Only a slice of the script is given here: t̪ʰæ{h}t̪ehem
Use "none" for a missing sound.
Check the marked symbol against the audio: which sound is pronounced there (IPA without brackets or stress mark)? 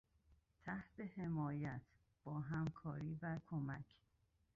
h